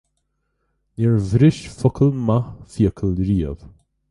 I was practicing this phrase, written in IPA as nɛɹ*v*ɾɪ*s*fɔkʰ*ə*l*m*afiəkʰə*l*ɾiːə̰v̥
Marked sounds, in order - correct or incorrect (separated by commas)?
correct, incorrect, correct, correct, correct